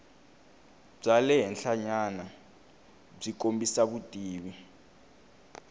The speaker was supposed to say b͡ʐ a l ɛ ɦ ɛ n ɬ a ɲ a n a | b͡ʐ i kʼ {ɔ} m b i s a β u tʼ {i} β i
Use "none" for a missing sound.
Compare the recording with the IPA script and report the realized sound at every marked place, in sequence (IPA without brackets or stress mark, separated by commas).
o, iː